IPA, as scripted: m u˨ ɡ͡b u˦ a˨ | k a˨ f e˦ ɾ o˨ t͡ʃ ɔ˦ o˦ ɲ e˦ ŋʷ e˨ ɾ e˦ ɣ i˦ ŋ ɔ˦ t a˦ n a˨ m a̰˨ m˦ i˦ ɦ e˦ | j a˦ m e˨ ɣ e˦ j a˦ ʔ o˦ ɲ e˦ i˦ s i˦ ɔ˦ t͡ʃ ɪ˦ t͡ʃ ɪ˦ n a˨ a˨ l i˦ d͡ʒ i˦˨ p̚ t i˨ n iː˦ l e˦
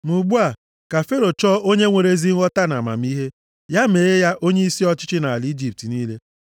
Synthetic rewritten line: m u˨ ɡ͡b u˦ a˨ | k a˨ f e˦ ɾ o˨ t͡ʃ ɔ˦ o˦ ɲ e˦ ŋʷ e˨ ɾ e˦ z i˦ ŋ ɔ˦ t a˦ n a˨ m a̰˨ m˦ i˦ ɦ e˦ | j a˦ m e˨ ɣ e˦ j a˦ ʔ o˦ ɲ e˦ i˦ s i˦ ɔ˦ t͡ʃ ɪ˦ t͡ʃ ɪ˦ n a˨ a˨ l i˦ d͡ʒ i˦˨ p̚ t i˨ n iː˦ l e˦